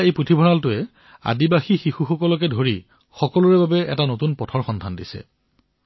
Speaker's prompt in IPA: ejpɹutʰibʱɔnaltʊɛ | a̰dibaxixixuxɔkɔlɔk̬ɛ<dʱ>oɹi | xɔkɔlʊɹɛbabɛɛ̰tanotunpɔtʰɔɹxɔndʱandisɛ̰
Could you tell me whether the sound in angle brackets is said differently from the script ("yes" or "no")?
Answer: no